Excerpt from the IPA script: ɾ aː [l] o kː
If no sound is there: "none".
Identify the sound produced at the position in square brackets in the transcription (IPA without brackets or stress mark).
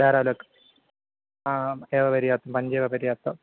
l